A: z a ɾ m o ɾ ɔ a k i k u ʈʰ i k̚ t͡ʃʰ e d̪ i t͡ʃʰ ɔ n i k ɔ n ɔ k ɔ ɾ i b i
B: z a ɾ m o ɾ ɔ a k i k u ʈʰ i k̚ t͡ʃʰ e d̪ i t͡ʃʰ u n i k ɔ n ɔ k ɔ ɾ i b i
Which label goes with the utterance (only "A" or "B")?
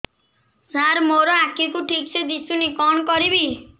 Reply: B